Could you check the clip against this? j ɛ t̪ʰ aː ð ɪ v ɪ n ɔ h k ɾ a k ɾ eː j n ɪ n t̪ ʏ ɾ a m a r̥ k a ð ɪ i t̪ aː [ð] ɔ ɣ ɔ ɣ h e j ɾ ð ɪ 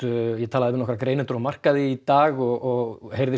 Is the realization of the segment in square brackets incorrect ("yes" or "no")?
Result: yes